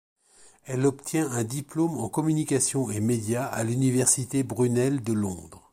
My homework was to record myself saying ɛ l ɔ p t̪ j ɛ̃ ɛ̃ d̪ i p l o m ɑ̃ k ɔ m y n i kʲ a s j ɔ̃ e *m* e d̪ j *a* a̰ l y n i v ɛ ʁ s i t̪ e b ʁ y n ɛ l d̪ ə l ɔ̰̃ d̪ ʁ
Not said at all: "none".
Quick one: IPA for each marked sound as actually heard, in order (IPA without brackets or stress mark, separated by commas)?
m, a